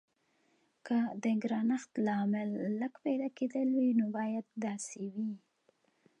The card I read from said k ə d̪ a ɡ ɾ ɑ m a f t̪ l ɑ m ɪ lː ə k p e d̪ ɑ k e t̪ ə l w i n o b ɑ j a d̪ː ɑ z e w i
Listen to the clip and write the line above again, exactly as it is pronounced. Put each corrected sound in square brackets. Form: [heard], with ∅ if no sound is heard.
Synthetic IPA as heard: k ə d̪ [ə] ɡ ɾ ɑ [n] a [x] t̪ l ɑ m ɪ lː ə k p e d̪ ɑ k e [d̪] ə l w i n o b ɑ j a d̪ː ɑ [s] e w i